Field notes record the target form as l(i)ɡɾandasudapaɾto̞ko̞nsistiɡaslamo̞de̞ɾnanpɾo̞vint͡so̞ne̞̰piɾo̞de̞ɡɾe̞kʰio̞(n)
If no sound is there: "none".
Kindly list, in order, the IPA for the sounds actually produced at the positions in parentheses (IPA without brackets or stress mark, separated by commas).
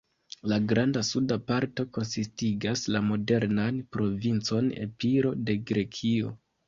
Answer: a, none